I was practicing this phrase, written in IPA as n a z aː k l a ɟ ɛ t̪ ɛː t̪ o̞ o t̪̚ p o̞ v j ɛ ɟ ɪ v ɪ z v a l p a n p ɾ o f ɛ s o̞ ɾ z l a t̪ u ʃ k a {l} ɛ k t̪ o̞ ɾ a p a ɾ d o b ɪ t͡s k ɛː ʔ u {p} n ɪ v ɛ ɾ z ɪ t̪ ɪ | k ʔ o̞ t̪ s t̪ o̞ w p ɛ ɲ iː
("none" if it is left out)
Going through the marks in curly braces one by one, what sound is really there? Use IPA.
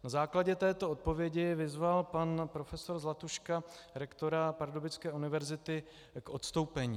ɾ, none

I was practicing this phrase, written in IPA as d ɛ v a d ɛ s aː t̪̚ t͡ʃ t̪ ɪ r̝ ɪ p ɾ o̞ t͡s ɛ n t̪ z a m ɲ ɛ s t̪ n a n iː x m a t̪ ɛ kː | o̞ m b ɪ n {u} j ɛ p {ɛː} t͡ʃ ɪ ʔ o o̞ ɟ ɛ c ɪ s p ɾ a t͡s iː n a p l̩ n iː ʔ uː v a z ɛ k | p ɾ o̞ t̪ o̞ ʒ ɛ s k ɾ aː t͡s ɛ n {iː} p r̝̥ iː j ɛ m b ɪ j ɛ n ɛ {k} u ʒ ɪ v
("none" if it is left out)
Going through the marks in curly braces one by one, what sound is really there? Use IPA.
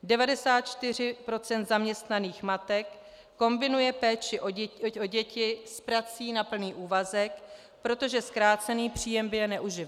u, ɛː, iː, ʔ

